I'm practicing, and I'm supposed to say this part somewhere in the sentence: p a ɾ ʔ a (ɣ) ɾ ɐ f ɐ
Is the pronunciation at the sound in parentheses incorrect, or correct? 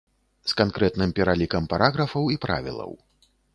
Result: correct